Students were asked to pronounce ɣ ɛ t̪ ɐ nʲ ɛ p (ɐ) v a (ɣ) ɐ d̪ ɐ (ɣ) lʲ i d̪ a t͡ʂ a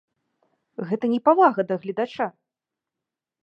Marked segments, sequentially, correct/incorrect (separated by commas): incorrect, correct, correct